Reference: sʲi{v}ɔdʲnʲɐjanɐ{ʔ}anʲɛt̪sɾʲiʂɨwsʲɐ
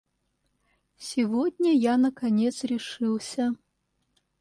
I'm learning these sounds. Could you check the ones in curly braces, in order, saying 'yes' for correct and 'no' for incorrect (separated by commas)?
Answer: yes, no